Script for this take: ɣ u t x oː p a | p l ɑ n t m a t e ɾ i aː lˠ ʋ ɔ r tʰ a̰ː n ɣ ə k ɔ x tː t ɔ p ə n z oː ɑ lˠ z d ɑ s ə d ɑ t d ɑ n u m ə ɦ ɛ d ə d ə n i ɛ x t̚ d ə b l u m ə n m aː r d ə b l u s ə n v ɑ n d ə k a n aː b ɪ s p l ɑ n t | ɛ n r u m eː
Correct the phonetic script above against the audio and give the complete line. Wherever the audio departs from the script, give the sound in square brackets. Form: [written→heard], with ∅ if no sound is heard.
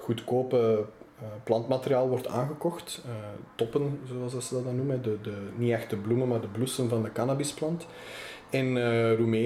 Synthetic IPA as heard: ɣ u t [x→k] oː p [a→ə] | p l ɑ n t m a t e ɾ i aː lˠ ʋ ɔ r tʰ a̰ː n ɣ ə k ɔ x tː t ɔ p ə n z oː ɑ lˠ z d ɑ s ə d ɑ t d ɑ n u m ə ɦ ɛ d ə d ə n i ɛ x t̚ d ə b l u m ə n m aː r d ə b l u s ə n v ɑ n d ə k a n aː b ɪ s p l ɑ n t | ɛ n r u m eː